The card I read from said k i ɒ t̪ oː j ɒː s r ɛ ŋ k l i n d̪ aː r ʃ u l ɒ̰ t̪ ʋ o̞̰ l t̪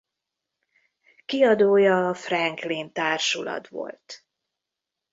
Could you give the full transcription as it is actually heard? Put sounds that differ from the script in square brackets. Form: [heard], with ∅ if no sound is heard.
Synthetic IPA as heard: k i ɒ [d̪] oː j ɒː [f] r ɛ ŋ k l i n [t̪] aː r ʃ u l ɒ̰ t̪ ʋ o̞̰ l t̪